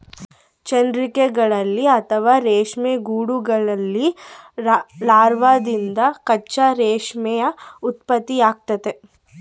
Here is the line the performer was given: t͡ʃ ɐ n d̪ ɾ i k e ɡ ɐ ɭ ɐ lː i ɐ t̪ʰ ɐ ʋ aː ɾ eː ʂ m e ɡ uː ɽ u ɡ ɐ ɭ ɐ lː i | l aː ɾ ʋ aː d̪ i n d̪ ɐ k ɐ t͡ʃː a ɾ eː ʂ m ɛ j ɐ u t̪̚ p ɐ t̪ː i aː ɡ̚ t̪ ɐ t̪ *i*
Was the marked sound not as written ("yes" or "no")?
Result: yes